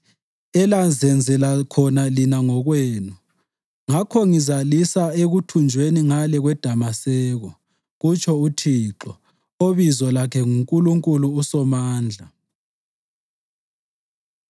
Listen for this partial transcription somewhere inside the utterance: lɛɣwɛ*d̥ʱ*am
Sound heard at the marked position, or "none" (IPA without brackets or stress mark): d̥ʱ